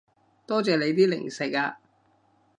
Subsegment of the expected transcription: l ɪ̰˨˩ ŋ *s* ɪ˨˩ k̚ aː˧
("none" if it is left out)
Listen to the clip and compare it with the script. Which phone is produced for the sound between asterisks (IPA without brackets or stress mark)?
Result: s